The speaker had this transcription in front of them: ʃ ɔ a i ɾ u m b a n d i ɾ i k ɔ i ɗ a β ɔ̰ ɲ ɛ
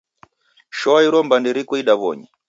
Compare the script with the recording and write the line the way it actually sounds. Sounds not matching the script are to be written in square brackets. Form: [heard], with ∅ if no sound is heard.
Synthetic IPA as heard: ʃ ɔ a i ɾ [ɔ] m b a n d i ɾ i k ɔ i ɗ a β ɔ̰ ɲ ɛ